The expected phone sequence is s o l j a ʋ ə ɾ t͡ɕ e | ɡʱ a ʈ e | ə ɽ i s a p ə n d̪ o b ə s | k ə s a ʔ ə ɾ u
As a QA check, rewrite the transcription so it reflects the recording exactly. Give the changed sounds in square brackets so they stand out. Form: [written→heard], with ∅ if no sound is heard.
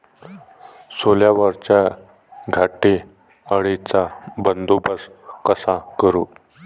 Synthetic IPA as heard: s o l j a ʋ ə ɾ t͡ɕ [e→a] | ɡʱ a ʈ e | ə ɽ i [s→t͡s] a [p→b] ə n d̪ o b ə s | k ə s a [ʔ→k] ə ɾ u